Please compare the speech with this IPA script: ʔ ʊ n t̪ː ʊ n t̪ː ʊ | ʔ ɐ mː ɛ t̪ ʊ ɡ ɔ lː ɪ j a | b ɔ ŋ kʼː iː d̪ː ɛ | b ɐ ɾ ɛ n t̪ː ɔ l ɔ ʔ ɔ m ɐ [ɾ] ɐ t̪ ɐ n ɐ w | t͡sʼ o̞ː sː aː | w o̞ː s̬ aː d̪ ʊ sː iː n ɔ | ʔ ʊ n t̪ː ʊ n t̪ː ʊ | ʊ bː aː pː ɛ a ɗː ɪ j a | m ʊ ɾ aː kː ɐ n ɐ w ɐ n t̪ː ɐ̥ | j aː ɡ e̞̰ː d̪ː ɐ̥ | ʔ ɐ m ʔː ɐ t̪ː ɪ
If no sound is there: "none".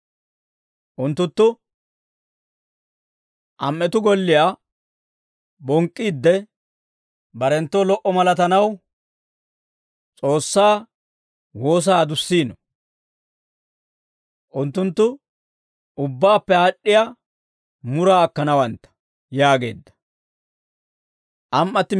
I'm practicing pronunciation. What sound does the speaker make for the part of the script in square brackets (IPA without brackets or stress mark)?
l